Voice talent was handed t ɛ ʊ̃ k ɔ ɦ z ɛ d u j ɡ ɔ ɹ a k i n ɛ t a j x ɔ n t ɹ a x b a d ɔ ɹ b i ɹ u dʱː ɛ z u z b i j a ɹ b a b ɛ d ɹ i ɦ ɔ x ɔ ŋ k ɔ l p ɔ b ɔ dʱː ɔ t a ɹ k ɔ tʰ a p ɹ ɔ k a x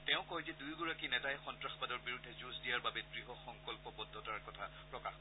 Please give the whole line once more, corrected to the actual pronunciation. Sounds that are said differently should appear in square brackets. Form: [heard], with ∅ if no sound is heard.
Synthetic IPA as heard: t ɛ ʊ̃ k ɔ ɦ z ɛ d u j ɡ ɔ ɹ a k i n ɛ t a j x ɔ n t ɹ a x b a d ɔ ɹ b i ɹ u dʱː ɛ z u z [d] i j a ɹ b a b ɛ d ɹ i ɦ ɔ x ɔ ŋ k ɔ l p ɔ b ɔ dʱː ɔ t a ɹ k ɔ tʰ a p ɹ ɔ k a x